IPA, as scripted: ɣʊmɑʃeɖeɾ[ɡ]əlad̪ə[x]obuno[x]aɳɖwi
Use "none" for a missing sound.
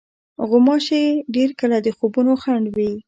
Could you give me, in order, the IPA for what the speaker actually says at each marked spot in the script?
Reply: k, x, x

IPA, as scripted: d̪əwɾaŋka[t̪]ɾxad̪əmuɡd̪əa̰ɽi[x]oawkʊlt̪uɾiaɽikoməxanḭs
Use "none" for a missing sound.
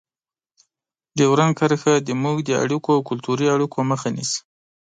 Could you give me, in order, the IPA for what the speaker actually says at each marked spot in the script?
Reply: none, k

